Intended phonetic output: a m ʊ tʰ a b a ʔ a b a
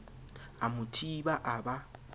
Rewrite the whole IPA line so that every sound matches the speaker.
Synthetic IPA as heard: a m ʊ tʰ i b a ʔ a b a

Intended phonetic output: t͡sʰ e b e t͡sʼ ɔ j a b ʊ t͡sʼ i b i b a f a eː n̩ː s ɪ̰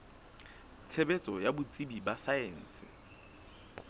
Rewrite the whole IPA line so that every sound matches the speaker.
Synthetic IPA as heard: t͡sʰ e b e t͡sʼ ɔ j a b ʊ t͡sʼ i b i b a s a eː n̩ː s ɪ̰

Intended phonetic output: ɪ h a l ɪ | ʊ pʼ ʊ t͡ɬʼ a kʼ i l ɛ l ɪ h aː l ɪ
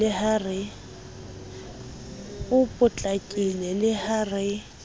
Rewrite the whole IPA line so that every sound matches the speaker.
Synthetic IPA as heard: ɪ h a r ɪ | ʊ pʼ ʊ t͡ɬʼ a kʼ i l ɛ l ɪ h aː r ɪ

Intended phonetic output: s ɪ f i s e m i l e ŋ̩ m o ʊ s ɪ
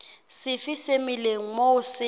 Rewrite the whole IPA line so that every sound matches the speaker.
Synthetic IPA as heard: s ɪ f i s e m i l e ŋ̩ m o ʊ s ɪ

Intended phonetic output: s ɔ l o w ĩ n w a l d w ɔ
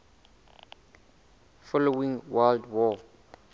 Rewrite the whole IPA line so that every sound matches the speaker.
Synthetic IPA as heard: f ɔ l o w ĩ ŋ w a l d w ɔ

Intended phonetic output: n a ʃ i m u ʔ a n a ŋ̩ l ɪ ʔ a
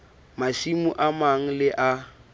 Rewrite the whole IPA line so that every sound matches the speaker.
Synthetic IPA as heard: m a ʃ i m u ʔ a m a ŋ̩ l ɪ ʔ a

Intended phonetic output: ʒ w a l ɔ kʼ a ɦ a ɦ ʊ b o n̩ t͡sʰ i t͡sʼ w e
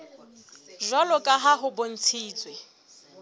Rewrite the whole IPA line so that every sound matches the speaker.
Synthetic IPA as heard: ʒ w a l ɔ kʼ a ɦ a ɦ ʊ b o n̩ t͡sʰ iː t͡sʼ w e

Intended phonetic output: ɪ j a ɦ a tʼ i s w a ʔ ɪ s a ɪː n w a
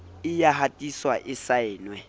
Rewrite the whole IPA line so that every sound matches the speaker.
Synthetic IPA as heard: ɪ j a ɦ a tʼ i s w a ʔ ɪ s a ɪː n w ɛ

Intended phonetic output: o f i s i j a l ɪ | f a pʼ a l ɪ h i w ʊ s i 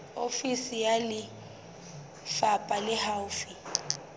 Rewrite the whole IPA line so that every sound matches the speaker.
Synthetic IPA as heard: o f i s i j a l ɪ | f a pʼ a l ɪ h a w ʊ f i

